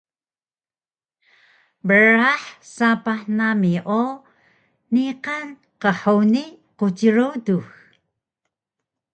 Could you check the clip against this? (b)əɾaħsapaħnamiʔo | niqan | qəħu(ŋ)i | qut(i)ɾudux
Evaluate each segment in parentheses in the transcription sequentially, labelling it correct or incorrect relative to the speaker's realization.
correct, incorrect: n, correct

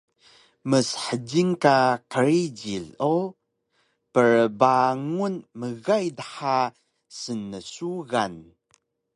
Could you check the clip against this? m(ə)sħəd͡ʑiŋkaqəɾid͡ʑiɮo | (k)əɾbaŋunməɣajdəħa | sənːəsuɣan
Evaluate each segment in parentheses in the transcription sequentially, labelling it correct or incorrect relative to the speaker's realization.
correct, incorrect: p

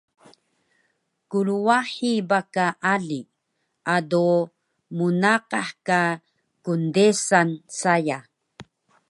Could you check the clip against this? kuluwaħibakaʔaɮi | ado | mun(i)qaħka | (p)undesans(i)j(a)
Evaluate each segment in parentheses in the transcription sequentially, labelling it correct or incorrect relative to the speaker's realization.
incorrect: a, incorrect: k, incorrect: a, correct

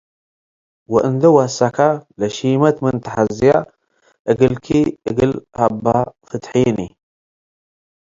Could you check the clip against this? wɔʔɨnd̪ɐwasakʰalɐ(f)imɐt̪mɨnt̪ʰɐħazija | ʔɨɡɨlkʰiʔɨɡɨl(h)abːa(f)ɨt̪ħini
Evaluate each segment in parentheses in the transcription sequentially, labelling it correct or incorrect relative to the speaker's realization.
incorrect: ʃ, correct, correct

